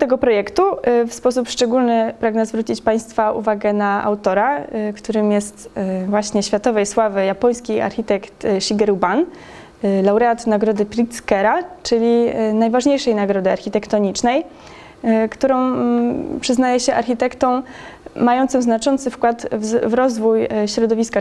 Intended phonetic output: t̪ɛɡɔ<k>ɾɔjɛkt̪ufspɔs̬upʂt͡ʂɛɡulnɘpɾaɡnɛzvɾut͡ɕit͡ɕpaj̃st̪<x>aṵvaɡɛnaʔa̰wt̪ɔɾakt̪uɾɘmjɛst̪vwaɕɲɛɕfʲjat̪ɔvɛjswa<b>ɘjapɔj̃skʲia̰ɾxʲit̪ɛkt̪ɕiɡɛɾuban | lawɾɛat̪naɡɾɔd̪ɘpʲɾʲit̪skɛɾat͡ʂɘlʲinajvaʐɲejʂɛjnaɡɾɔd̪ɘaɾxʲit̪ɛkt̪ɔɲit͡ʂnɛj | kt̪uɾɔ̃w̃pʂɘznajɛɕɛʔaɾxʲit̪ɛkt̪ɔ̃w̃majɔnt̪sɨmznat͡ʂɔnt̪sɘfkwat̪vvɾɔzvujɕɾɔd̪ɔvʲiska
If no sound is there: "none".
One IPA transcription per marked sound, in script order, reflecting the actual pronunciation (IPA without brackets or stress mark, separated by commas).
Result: p, f, v